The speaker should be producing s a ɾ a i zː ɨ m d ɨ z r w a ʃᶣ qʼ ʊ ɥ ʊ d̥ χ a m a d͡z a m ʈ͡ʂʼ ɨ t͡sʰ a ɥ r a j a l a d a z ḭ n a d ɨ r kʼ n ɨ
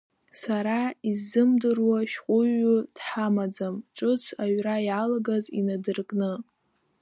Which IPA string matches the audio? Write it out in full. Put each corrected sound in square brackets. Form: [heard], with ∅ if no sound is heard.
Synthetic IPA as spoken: s a ɾ a i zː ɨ m d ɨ [∅] r w a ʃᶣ qʼ ʊ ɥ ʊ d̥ [ħ] a m a d͡z a m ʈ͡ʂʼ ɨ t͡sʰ a ɥ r a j a l a [ɡ] a z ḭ n a d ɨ r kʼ n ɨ